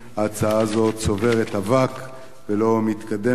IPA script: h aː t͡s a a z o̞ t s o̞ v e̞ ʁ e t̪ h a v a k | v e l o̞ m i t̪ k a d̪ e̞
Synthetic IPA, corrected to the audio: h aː t͡s a a z o̞ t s o̞ v e̞ ʁ e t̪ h a v a k | v e l o̞ m i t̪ k a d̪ e̞